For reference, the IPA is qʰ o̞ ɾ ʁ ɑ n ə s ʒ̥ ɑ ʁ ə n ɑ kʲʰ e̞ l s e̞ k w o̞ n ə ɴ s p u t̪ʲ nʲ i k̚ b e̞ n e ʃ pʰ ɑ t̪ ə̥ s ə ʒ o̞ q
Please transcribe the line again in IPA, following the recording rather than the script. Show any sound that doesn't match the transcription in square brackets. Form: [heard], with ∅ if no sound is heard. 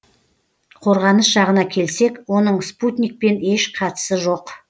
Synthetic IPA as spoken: qʰ o̞ ɾ ʁ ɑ n ə s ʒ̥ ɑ ʁ ə n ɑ kʲʰ e̞ l s e̞ k w o̞ n ə ɴ s p u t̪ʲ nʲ i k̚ [p] e̞ n e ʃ [qʰ] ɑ t̪ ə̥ s ə ʒ o̞ q

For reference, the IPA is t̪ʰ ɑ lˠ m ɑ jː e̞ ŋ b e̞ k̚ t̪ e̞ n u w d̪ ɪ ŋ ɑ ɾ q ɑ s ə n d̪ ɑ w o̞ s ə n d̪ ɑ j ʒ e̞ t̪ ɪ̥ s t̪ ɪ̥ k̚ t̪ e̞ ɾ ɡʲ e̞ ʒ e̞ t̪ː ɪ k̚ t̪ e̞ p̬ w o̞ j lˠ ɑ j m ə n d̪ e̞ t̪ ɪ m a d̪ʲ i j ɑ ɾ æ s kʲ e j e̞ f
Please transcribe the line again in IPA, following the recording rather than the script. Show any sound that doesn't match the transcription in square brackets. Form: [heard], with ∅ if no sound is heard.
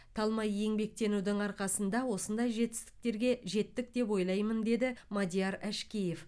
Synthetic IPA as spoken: t̪ʰ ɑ lˠ m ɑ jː e̞ ŋ b e̞ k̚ t̪ e̞ n u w d̪ ɪ ŋ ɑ ɾ q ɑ s ə n d̪ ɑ w o̞ s ə n d̪ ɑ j ʒ e̞ t̪ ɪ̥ s t̪ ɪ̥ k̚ t̪ e̞ ɾ ɡʲ e̞ ʒ e̞ t̪ː ɪ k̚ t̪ e̞ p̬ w o̞ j lˠ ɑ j m ə n d̪ e̞ [d̪] ɪ m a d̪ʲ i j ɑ ɾ æ [ʃ] kʲ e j e̞ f

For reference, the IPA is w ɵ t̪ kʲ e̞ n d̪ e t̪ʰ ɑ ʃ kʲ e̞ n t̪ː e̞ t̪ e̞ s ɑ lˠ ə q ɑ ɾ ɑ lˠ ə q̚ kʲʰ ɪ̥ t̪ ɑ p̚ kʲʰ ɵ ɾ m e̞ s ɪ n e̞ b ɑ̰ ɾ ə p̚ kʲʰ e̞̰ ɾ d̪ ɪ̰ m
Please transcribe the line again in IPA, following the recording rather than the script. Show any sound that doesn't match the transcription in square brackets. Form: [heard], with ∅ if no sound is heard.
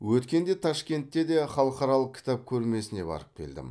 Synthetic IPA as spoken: w ɵ t̪ kʲ e̞ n d̪ e t̪ʰ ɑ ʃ kʲ e̞ n t̪ː e̞ [d̪] e̞ [χ] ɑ lˠ ə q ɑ ɾ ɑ lˠ ə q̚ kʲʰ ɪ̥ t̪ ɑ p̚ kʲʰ ɵ ɾ m e̞ s ɪ n e̞ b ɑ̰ ɾ ə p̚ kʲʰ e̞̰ [l] d̪ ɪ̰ m

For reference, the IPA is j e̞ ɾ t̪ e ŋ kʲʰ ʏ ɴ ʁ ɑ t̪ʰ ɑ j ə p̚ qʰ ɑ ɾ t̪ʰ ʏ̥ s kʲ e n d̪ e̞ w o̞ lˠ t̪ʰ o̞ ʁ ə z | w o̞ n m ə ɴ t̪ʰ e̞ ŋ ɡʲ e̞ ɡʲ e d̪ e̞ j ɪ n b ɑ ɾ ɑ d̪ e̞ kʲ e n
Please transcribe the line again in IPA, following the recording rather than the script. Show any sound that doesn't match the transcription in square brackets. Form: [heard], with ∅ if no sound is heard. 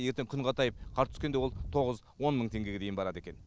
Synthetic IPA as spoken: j e̞ ɾ t̪ e ŋ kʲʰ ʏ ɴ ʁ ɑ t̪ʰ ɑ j ə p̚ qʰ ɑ ɾ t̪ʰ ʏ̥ s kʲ e n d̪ e̞ w o̞ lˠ t̪ʰ o̞ ʁ ə z | w o̞ n m ə ɴ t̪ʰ e̞ ŋ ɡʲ e̞ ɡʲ e d̪ e̞ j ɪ n b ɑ ɾ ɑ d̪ e̞ kʲ e n

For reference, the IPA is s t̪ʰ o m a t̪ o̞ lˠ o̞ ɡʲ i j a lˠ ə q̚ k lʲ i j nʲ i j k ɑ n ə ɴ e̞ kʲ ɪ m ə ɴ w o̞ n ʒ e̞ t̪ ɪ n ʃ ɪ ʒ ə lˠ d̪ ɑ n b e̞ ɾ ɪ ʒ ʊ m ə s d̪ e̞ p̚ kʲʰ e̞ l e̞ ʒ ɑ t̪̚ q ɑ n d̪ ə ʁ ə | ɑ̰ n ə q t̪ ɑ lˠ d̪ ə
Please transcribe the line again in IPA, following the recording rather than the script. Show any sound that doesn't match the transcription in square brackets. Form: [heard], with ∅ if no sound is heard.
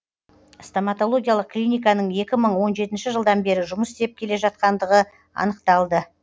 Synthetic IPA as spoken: s [t̪] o m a t̪ o̞ lˠ o̞ ɡʲ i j a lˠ ə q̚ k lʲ i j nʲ i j k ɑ n ə ɴ e̞ kʲ ɪ m ə ɴ w o̞ n ʒ e̞ t̪ ɪ n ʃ ɪ ʒ ə lˠ d̪ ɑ n b e̞ ɾ ɪ ʒ ʊ m ə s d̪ e̞ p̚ kʲʰ e̞ l e̞ ʒ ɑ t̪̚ q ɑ n d̪ ə ʁ ə | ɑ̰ n ə q t̪ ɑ lˠ d̪ ə

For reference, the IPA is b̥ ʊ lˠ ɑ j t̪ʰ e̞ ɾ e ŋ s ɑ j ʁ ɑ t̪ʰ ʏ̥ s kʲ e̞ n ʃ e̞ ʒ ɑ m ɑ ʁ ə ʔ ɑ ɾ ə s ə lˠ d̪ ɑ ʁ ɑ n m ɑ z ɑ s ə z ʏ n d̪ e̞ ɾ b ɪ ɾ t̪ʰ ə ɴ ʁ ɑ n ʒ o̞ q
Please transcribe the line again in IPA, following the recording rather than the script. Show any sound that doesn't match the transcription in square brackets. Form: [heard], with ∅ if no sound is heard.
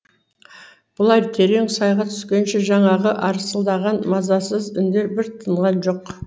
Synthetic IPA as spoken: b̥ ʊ lˠ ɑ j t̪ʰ e̞ ɾ e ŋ s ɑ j ʁ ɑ t̪ʰ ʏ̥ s kʲ e̞ n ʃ e̞ ʒ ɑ [ɴ] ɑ ʁ ə ʔ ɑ ɾ ə s ə lˠ d̪ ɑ ʁ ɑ n m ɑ z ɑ s ə z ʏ n d̪ e̞ ɾ b ɪ ɾ t̪ʰ ə ɴ ʁ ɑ n ʒ o̞ q

